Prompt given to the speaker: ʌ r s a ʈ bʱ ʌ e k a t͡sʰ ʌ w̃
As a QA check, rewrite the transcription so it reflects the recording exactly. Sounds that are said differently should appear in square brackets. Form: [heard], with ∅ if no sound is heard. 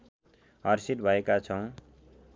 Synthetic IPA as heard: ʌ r s [i] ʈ bʱ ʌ e k a t͡sʰ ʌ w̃